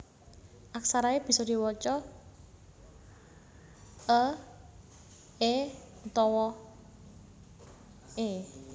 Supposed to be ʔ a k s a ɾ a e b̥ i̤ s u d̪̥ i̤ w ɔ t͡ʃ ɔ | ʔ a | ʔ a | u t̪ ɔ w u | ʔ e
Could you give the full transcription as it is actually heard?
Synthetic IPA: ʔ a k s a ɾ a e b̥ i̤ s ɔ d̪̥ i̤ w ɔ t͡ʃ ɔ | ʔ ə | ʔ e | u t̪ ɔ w ɔ | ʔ e

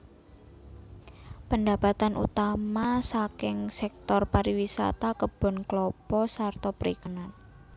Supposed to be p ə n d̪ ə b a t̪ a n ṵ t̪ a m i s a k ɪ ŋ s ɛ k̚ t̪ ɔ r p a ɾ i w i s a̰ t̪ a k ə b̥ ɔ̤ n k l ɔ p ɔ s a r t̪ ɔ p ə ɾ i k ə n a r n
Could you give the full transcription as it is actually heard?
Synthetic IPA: p ə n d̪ a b a t̪ a n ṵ t̪ a m a s a k ɪ ŋ s ɛ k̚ t̪ ɔ r p a ɾ i w i s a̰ t̪ a k ə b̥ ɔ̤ n k l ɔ p ɔ s a r t̪ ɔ p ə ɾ i k ə n a n

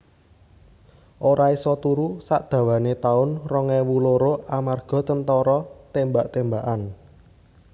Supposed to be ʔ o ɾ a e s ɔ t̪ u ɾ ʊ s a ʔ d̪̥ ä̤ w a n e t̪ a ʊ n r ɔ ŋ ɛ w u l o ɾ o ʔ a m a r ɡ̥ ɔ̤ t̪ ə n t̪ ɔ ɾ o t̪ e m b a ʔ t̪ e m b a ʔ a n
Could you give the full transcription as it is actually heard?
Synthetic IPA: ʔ o ɾ a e s ɔ t̪ u ɾ u s a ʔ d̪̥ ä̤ w a n e t̪ a ʊ n r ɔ ŋ ɛ w u l o ɾ o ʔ a m a r ɡ̥ ɔ̤ t̪ ə n t̪ ɔ ɾ ɔ t̪ e m b a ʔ t̪ e m b a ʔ a n

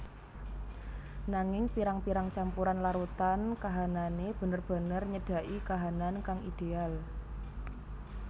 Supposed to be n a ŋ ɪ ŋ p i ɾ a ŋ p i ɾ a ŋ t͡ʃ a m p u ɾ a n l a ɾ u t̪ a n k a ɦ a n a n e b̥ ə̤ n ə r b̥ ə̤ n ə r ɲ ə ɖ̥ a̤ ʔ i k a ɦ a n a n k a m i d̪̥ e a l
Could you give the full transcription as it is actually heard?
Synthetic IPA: n a ŋ ɪ ŋ p i ɾ a ŋ p i ɾ a ŋ t͡ʃ a m p u ɾ a n l a ɾ u t̪ a n k a ɦ a n a n e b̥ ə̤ n ə r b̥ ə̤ n ə r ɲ ə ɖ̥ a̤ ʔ i k a ɦ a n a n k a ŋ i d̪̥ e a l

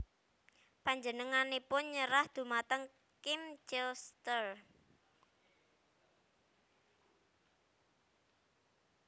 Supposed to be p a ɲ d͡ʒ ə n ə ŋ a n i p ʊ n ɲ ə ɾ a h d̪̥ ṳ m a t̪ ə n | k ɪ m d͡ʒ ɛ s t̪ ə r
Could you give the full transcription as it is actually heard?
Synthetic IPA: p a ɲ d͡ʒ ə n ə ŋ a n e p ʊ n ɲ ə ɾ a h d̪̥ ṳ m a t̪ ə ŋ | k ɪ m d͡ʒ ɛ s t̪ ə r

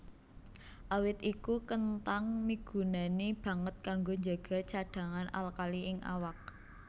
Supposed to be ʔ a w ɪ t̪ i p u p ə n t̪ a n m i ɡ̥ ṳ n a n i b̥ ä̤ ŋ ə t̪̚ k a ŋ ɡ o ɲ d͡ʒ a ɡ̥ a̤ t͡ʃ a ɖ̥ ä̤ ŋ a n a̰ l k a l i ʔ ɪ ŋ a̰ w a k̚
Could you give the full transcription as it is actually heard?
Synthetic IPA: ʔ a w ɪ t̪ i k u k ə n t̪ a ŋ m i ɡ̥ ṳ n a n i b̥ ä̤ ŋ ə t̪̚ k a ŋ ɡ o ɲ d͡ʒ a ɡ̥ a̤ t͡ʃ a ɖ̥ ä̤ ŋ a n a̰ l k a l i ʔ ɪ ŋ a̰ w a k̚

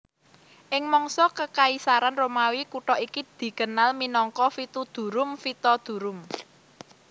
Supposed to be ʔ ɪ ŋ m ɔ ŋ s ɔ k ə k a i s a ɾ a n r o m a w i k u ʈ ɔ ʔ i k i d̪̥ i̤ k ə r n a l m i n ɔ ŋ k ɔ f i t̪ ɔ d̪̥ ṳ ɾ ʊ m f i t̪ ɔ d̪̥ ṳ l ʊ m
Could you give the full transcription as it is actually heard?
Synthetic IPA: ʔ ɪ ŋ m ɔ ŋ s ɔ k ə k a i s a ɾ a n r o m a w i k u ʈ ɔ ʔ i k i d̪̥ i̤ k ə n a l m i n ɔ ŋ k ɔ f i t̪ u d̪̥ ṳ ɾ ʊ m f i t̪ ɔ d̪̥ ṳ ɾ ʊ m

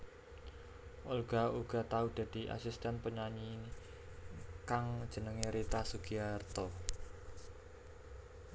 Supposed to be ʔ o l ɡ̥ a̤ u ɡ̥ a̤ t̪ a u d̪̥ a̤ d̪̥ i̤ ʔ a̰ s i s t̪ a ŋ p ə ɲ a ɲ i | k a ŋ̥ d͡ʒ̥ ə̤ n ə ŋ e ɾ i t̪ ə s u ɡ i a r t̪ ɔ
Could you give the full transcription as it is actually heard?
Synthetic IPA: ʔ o l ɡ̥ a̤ u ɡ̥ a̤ t̪ a u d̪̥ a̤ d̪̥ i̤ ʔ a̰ s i s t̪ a n p ə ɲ a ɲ i | k a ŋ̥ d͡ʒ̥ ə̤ n ə ŋ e ɾ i t̪ a s u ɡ i a r t̪ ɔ

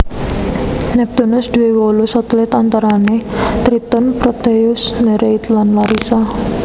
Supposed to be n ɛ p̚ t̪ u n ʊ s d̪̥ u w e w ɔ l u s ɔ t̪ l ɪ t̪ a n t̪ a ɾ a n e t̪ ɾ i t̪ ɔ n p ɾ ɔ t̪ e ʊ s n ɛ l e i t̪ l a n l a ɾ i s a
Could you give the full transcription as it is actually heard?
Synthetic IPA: n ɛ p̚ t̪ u n ʊ s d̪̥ u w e w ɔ l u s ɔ t̪ l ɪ t̪ a n t̪ a ɾ a n e t̪ ɾ i t̪ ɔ n p ɾ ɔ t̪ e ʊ s n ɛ ɾ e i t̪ l a n l a ɾ i s a

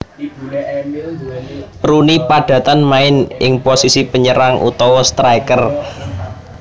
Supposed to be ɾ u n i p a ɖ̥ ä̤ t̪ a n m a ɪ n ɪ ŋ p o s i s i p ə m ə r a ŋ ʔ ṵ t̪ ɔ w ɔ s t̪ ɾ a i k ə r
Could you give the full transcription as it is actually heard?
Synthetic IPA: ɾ u n i p a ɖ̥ ä̤ t̪ a n m a ɪ n ɪ ŋ p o s i s i p ə ɲ ə ɾ a ŋ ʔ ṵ t̪ ɔ w ɔ s t̪ ɾ a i k ə r

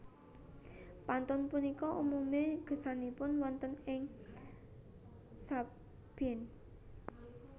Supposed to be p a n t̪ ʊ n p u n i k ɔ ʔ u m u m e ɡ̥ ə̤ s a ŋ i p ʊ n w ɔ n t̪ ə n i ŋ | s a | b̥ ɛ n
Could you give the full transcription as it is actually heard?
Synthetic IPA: p a n t̪ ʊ n p u n i k ɔ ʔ u m u m e ɡ̥ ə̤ s a n i p ʊ n w ɔ n t̪ ə n ɪ ŋ | s a | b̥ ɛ n

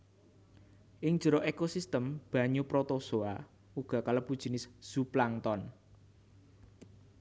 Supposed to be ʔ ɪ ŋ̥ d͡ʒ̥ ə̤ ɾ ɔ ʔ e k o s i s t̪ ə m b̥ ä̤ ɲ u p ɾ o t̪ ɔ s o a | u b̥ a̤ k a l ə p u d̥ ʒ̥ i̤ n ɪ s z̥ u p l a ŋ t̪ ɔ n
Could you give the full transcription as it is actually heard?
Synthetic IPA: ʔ ɪ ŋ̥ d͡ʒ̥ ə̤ ɾ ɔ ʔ e k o s i s t̪ ə m b̥ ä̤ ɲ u p ɾ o t̪ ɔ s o a | u ɡ̥ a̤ k a l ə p u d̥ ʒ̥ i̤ n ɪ s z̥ u p l a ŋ t̪ ɔ n

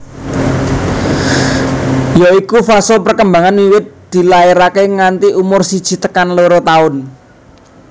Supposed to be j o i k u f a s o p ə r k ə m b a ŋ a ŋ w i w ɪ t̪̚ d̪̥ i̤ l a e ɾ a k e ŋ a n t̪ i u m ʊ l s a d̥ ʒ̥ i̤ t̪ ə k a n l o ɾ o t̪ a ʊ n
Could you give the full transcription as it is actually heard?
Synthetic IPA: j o i k u f a s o p ə r k ə m b a ŋ a n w i w ɪ t̪̚ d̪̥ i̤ l a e ɾ a k e ŋ a n t̪ i u m ʊ r s i d̥ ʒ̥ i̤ t̪ ə k a n l o ɾ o t̪ a ʊ n

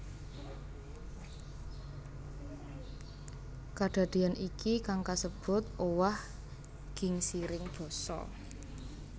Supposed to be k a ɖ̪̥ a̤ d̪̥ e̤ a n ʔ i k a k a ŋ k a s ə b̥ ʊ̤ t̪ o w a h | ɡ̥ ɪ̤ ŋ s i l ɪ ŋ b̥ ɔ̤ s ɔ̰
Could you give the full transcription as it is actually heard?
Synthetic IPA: k a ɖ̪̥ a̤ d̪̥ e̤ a n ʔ i k i k a ŋ k a s ə b̥ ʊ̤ t̪ o w a h | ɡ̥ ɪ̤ ŋ s i ɾ ɪ ŋ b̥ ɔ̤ s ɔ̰

